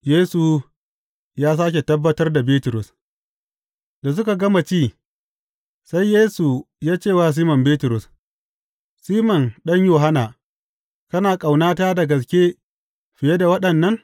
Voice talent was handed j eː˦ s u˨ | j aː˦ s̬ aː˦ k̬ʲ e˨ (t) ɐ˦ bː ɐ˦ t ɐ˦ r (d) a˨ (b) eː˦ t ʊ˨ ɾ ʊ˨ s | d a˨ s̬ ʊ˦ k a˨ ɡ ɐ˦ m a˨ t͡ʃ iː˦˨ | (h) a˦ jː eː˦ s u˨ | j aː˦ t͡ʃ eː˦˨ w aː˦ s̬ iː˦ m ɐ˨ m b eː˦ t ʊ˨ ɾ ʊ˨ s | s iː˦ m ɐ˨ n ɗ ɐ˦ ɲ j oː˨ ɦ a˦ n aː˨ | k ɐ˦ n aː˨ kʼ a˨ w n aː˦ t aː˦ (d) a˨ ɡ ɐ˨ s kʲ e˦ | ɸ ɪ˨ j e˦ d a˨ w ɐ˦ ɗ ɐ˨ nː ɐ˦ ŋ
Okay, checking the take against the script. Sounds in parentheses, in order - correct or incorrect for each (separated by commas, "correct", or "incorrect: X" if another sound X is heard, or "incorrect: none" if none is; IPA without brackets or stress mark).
correct, correct, correct, incorrect: s, correct